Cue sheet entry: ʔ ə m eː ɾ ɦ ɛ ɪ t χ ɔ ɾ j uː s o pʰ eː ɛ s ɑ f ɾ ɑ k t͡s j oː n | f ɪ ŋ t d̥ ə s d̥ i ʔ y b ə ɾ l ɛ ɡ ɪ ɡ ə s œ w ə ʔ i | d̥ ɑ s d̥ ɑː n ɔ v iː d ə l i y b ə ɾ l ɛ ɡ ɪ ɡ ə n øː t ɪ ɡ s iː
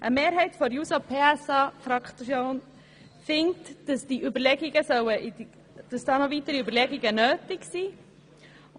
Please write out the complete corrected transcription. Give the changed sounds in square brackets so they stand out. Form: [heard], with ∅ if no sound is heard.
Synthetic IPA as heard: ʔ ə m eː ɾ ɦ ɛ ɪ t [f] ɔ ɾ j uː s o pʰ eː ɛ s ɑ f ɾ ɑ k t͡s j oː n | f ɪ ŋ t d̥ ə s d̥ i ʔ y b ə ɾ l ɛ ɡ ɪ ɡ ə s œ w ə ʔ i | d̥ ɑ s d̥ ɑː n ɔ v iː [t] ə [ɾ] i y b ə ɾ l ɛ ɡ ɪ ɡ ə n øː t ɪ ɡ s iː

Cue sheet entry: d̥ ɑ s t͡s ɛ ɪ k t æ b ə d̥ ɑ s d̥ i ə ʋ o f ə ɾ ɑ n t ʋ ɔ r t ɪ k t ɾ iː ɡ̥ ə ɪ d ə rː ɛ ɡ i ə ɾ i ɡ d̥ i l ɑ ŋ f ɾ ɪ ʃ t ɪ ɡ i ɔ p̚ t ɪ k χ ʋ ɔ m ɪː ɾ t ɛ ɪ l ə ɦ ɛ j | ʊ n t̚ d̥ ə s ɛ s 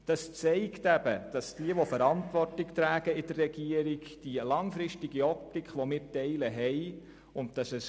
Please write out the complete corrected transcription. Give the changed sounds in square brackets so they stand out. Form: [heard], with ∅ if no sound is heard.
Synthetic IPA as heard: d̥ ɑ s t͡s ɛ ɪ k t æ b ə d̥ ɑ s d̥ i ə ʋ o f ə ɾ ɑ n t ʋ ɔ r t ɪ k t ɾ [æː] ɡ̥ ə ɪ d ə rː ɛ ɡ i ə ɾ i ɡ d̥ i l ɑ ŋ f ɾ ɪ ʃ t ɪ ɡ i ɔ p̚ t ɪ k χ ʋ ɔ m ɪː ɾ t ɛ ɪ l ə ɦ ɛ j | ʊ n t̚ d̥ [ɑ] s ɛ s

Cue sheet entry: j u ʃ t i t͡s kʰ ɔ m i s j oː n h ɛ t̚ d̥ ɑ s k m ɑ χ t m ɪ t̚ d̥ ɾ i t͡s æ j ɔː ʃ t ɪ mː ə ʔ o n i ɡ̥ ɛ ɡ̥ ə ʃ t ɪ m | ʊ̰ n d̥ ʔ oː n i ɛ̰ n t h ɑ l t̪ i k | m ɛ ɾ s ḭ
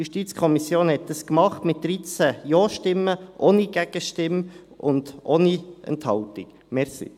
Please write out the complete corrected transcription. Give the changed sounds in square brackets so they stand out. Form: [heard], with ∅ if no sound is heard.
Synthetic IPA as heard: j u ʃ t i t͡s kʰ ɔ m i s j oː n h ɛ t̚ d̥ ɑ s k m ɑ χ t m ɪ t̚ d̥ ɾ i t͡s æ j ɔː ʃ t ɪ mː ə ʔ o n i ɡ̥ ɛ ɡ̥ ə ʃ t ɪ m | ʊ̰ n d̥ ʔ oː n i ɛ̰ n t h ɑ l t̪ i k | m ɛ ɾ s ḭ

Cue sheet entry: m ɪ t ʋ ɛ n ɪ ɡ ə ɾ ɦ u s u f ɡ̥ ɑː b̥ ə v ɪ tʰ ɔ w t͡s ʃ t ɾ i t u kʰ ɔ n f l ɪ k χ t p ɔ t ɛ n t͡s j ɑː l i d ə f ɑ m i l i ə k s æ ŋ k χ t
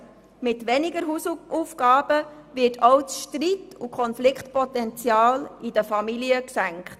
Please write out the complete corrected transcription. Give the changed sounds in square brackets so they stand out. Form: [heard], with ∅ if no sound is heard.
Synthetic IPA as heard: m ɪ t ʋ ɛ n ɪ ɡ ə ɾ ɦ u s u f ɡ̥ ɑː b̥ ə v ɪ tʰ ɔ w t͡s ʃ t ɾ i t u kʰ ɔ n f l ɪ k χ t p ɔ t ɛ n t͡s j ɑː l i d ə f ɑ m i l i ə k s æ ŋ k χ t

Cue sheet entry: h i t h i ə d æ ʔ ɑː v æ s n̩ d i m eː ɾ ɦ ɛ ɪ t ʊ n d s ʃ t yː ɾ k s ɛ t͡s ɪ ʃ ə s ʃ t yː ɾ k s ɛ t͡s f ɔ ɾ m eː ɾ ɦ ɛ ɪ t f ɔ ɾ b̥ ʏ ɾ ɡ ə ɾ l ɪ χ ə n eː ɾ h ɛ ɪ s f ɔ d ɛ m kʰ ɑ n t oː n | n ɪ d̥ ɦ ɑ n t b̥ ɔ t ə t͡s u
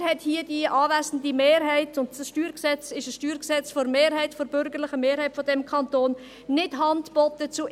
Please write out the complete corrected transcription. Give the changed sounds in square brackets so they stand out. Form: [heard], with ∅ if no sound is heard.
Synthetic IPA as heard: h [ɛ] t h i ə d [i] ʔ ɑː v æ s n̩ d i m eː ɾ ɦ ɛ ɪ t ʊ n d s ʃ t yː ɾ k s ɛ t͡s ɪ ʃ ə s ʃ t yː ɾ k s ɛ t͡s f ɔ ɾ m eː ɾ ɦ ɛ ɪ t f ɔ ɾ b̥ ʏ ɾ ɡ ə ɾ l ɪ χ ə [m] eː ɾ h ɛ ɪ [t] f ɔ d ɛ m kʰ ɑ n t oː n | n ɪ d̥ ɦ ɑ n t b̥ ɔ t ə t͡s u

